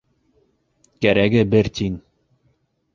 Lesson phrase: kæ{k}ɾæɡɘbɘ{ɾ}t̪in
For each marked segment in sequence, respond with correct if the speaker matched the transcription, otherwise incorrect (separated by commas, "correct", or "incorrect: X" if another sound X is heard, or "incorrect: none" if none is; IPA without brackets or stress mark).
incorrect: none, correct